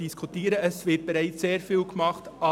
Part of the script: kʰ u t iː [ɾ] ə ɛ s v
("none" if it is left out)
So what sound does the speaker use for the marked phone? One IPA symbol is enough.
ɾ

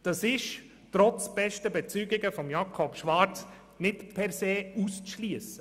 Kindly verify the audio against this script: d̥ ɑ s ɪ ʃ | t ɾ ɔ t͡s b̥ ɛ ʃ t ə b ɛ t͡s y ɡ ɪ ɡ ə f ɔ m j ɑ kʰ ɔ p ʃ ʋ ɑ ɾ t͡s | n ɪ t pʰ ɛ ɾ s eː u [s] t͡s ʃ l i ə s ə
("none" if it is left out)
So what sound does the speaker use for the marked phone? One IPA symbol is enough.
s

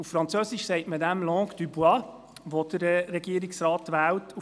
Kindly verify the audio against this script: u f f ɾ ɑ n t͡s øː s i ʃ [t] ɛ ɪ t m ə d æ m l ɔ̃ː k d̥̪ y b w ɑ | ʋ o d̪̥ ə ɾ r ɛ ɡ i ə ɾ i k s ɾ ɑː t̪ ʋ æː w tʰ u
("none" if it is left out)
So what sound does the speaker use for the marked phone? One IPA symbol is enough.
s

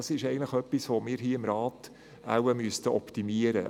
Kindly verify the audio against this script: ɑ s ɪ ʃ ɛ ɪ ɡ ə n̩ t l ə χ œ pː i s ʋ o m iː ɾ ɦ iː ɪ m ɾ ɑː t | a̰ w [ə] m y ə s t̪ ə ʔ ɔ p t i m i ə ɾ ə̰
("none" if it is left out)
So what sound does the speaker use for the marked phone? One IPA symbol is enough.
ə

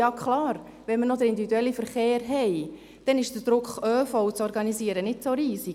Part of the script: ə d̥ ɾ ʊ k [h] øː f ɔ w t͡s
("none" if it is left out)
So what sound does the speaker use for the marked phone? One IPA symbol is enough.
χ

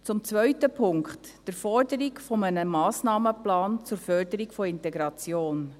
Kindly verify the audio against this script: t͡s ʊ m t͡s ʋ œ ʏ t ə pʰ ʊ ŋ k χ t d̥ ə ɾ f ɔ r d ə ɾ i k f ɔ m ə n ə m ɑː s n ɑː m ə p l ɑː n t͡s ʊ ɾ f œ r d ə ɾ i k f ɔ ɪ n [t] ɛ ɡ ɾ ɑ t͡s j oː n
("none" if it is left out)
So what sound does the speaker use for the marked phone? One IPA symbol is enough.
t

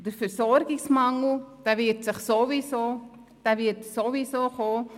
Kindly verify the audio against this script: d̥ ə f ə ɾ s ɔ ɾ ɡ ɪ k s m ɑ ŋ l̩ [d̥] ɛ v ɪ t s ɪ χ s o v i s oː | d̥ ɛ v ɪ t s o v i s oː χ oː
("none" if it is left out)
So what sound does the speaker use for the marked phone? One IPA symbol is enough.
d̥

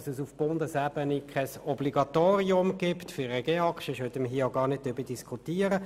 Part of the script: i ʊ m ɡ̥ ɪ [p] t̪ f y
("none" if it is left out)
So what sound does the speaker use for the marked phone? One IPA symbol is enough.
p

